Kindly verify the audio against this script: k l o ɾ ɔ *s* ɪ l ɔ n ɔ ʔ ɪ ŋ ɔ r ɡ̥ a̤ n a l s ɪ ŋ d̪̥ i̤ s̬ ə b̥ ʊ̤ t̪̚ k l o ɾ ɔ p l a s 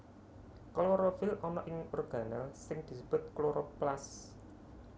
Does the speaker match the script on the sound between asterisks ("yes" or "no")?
no